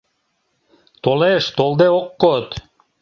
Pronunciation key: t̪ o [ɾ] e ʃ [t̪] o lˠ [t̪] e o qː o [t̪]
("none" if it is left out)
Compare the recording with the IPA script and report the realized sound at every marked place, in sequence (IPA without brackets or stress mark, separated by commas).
l, t̪, d̪, t̪